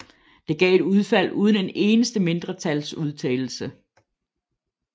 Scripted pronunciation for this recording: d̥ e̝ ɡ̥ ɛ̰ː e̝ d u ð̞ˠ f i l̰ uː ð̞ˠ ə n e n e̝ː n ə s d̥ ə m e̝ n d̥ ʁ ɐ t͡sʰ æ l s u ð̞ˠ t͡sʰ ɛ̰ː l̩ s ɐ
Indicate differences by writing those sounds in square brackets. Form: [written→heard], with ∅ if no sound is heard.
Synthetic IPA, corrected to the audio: d̥ e̝ ɡ̥ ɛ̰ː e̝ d u ð̞ˠ f [i→æ] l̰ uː ð̞ˠ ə n e n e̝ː n ə s d̥ ə m e̝ n d̥ ʁ ɐ t͡sʰ æ l s u ð̞ˠ t͡sʰ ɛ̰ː l̩ s [ɐ→ə]